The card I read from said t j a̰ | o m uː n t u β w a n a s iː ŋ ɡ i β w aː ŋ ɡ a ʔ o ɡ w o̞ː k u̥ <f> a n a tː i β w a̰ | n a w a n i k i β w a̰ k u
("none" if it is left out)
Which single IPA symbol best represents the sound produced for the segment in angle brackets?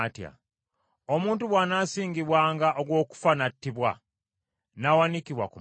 f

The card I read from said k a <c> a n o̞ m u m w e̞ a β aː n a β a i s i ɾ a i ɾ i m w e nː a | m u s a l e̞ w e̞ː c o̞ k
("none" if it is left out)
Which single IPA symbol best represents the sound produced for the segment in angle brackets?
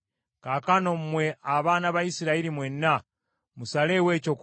k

